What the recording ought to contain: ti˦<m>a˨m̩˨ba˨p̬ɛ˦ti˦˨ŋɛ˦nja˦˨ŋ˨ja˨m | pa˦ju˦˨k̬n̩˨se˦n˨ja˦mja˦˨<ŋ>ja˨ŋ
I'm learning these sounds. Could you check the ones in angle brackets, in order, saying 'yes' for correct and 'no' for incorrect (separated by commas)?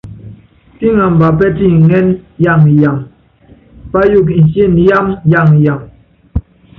no, yes